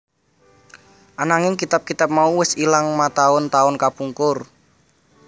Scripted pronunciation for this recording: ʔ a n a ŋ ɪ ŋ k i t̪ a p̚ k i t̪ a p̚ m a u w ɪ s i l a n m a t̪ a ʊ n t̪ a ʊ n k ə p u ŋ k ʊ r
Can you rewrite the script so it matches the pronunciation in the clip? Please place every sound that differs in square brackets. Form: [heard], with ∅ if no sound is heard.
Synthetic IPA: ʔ a n a ŋ ɪ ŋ k i t̪ a p̚ k i t̪ a p̚ m a u w ɪ s i l a [ŋ] m a t̪ a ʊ n t̪ a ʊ n k [a] p u ŋ k ʊ r